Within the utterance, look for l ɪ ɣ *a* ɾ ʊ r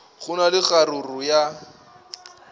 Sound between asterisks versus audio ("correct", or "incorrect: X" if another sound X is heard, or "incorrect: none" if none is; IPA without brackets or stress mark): correct